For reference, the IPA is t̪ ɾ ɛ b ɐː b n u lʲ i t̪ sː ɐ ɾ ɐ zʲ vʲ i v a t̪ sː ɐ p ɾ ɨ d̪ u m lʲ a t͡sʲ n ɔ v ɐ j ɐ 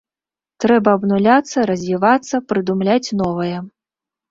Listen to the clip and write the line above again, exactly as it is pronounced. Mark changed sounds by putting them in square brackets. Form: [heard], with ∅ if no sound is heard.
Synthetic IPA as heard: t̪ ɾ ɛ b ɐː b n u lʲ [a] t̪ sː ɐ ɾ ɐ zʲ vʲ i v a t̪ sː ɐ p ɾ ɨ d̪ u m lʲ a t͡sʲ n ɔ v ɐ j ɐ